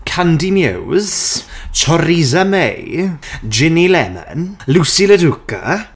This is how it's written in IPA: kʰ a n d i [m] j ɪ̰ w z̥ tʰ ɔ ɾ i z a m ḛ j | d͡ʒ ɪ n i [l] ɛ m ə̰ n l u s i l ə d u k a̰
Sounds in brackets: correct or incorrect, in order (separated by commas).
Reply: correct, correct